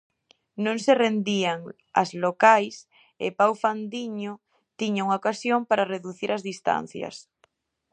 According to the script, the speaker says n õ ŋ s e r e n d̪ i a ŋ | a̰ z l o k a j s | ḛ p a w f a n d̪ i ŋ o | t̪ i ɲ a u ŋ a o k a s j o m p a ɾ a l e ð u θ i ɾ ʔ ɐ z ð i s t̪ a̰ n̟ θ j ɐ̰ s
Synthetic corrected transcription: n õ ŋ s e r e n d̪ i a ŋ | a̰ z l o k a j s | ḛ p a w f a n d̪ i ɲ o | t̪ i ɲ a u ŋ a o k a s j o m p a ɾ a r e ð u θ i ɾ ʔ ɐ z ð i s t̪ a̰ n̟ θ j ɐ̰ s